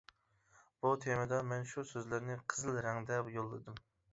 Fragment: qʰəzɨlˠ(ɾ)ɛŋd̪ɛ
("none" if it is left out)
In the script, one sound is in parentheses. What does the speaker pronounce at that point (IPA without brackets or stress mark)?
ɾ